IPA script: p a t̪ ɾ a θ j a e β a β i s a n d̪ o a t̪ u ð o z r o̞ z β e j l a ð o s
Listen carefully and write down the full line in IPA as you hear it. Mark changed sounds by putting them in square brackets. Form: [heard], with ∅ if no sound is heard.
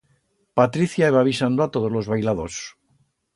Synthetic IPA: p a t̪ ɾ [i] θ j a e β a β i s a n d̪ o a t̪ [o] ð o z [l] o̞ z β [a] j l a ð o s

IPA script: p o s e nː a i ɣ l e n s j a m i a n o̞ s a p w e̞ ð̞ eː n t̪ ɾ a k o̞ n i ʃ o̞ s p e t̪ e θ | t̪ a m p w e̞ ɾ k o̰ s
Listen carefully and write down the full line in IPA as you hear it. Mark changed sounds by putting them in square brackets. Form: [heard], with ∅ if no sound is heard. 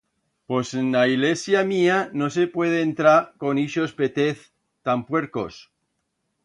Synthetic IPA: p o s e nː a i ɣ l e [∅] s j a m i a n o̞ s [e] p w e̞ ð̞ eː n t̪ ɾ a k o̞ n i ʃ o̞ s p e t̪ e θ | t̪ a m p w e̞ ɾ k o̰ s

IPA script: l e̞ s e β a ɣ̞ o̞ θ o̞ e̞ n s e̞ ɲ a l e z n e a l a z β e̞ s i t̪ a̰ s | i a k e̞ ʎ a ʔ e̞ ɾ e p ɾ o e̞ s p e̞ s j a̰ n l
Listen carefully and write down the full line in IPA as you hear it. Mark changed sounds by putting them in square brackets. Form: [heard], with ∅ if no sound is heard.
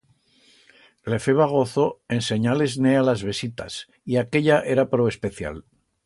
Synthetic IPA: l e̞ [f] e β a ɣ̞ o̞ θ o̞ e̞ n s e̞ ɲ a l e z n e a l a z β e̞ s i t̪ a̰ s | i a k e̞ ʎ a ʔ e̞ ɾ [a] p ɾ o e̞ s p e̞ [θ] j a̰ [∅] l

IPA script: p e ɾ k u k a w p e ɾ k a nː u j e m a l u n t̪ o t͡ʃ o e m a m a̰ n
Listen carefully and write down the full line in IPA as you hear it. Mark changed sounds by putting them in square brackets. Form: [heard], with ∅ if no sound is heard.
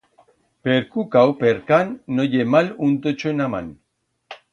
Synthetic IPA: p e ɾ k u k a w p e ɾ k a nː [o] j e m a l u n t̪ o t͡ʃ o e [n] a m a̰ n

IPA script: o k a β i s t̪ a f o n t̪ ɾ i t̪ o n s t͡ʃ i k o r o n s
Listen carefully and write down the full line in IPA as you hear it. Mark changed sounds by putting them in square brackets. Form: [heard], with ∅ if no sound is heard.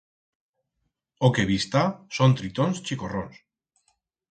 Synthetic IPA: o k [e] β i s t̪ a [s] o n t̪ ɾ i t̪ o n s t͡ʃ i k o r o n s

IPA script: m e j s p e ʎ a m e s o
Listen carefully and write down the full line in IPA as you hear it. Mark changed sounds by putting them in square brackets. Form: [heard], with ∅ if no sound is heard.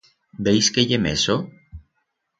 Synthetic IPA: [b] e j s [k] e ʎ [e] m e s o

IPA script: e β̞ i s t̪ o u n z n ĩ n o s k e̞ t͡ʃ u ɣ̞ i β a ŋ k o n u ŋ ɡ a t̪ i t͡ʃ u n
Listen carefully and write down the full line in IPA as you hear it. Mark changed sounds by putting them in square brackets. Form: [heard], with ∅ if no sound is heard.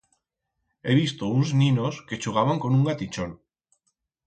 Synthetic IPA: e β̞ i s t̪ o u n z n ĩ n o s k e̞ t͡ʃ u ɣ̞ [a] β a ŋ k o n u ŋ ɡ a t̪ i t͡ʃ [o] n

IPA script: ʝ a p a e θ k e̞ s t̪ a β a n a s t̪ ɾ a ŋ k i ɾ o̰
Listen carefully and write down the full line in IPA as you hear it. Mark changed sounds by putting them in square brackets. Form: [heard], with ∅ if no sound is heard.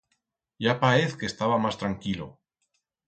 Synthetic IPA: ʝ a p a e θ k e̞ s t̪ a β a [m] a s t̪ ɾ a ŋ k i [l] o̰

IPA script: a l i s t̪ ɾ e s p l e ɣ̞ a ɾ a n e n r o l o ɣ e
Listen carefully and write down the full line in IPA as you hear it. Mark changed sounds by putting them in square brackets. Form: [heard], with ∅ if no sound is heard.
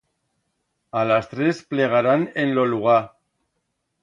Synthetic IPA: a l [a] s t̪ ɾ e s p l e ɣ̞ a ɾ a n e n [l] o l [u] ɣ [a]

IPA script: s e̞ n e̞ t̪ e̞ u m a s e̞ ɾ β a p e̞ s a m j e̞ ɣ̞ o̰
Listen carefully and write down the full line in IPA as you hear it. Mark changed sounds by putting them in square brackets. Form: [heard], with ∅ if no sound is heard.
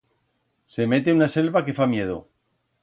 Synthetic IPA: s e̞ [m] e̞ t̪ e̞ u [n] a s e̞ [l] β a [k] e̞ [f] a m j e̞ [ð̞] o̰

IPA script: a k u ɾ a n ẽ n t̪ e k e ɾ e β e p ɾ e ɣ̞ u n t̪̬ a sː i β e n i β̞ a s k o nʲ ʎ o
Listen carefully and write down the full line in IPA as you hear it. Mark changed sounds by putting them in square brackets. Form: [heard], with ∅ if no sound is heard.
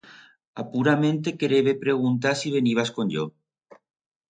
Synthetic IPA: a [p] u ɾ a [m] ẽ n t̪ e k e ɾ e β e p ɾ e ɣ̞ u n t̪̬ a [s] i β e n i β̞ a s k o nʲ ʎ o

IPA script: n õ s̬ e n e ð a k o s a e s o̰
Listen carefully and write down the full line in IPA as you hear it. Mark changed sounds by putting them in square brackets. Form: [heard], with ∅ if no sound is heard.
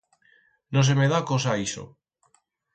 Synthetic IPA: n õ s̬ e [m] e ð a k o s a [i] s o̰

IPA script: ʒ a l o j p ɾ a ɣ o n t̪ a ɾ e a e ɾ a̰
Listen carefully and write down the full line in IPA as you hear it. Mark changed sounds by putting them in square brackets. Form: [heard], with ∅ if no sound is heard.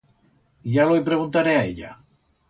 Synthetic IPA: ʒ a l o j p ɾ [e] ɣ [u] n t̪ a ɾ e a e [ʎ] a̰

